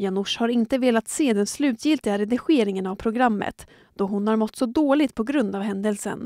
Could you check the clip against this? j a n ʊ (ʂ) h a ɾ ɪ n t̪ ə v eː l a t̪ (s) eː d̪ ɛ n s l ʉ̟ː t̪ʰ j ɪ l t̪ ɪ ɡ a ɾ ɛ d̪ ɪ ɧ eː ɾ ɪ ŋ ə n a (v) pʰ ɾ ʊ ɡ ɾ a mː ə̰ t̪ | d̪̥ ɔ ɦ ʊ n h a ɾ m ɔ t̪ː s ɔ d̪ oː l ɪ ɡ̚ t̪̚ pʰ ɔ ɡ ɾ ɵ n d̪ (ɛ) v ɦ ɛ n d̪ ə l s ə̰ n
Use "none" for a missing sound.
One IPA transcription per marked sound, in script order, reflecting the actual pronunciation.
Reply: ʂ, s, v, a

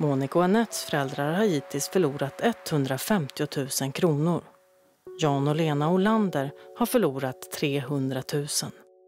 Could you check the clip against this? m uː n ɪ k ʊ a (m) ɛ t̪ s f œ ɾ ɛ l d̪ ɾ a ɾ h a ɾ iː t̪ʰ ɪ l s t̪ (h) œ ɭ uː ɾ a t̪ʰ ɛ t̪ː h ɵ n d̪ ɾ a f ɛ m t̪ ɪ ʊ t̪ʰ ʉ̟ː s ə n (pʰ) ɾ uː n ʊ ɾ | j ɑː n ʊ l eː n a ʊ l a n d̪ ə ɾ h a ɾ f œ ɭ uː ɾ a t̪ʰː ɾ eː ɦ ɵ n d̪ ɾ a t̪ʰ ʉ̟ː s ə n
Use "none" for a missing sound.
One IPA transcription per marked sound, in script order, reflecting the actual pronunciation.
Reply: n, f, kʰ

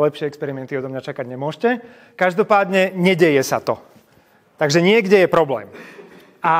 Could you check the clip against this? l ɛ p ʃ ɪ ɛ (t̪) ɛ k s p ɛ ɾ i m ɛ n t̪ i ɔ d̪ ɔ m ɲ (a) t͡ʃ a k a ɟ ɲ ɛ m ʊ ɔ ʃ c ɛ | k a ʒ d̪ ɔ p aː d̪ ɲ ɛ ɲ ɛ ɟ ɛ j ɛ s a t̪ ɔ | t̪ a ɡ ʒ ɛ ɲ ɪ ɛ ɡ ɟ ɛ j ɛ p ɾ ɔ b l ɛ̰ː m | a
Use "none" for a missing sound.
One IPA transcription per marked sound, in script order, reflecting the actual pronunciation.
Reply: none, a

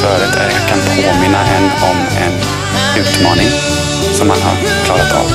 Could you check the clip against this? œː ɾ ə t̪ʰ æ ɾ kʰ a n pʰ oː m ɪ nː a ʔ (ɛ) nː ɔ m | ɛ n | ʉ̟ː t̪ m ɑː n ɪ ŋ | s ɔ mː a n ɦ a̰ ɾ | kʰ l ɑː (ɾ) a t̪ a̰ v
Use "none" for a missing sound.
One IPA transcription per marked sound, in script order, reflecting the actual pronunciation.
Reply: ɛ, ɾ

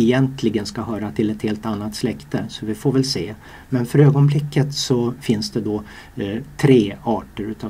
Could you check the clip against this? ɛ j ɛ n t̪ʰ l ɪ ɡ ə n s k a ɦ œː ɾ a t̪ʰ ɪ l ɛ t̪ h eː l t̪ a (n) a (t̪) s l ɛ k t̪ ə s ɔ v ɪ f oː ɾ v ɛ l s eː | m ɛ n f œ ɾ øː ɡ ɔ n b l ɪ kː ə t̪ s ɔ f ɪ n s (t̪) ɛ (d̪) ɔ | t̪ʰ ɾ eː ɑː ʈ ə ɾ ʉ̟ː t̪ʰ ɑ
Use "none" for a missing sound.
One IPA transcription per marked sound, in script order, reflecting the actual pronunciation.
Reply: nː, t̪, d̪, d̪

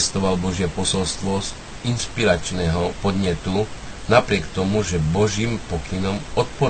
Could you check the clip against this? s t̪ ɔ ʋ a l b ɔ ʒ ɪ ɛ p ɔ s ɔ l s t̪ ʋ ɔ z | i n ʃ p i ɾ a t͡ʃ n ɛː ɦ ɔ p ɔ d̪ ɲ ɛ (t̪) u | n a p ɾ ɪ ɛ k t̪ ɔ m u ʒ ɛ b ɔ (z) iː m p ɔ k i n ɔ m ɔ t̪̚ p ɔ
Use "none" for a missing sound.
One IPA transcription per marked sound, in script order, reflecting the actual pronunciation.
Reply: t̪, ʒ

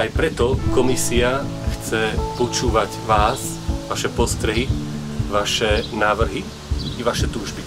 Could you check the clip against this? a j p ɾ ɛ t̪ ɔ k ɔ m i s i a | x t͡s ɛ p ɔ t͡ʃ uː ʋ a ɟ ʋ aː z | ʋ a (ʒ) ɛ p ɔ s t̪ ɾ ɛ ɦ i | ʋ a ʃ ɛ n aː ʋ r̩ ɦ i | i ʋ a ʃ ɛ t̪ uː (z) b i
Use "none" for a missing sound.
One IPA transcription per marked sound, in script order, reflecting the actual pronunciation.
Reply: ʃ, ʒ

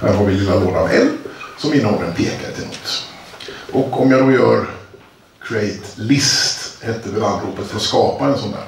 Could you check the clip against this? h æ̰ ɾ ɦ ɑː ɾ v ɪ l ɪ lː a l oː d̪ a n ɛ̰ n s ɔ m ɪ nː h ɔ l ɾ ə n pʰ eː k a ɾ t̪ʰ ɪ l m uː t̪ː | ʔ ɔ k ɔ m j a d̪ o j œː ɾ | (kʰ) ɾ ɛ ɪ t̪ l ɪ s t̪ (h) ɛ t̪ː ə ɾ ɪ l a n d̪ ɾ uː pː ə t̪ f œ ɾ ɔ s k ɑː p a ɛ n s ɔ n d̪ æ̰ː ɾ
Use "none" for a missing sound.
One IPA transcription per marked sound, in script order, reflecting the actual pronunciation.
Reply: kʰ, h

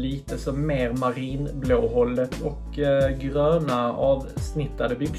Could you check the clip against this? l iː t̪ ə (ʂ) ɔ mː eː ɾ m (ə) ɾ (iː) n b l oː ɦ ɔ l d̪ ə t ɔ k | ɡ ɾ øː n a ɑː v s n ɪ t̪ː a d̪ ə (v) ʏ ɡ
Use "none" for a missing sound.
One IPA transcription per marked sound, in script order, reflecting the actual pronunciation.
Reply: s, a, iː, b

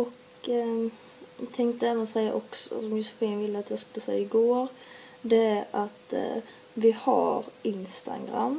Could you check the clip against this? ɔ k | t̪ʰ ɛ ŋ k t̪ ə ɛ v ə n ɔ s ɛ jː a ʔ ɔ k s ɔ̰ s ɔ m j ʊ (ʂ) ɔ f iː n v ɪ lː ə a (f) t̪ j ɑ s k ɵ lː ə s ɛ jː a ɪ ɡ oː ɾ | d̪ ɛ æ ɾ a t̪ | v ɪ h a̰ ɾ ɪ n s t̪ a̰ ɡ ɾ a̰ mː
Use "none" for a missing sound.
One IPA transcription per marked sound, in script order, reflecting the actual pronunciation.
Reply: s, none

